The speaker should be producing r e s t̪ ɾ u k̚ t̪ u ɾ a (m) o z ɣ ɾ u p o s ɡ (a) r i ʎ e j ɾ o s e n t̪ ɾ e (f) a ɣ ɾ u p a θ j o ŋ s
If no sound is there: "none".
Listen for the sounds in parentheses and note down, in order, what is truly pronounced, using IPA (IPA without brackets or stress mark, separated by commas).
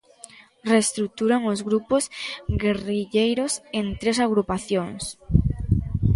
ŋ, e, s